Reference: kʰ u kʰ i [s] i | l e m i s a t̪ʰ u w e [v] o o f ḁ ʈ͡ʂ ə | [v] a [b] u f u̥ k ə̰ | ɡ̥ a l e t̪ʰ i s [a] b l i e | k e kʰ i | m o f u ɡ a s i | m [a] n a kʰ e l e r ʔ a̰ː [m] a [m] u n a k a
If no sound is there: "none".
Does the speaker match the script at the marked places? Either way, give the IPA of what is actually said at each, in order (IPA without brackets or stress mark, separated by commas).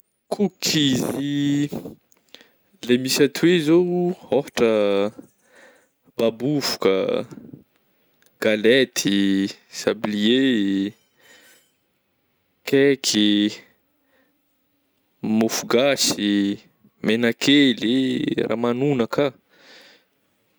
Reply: z, z, b, b, a, e, m, n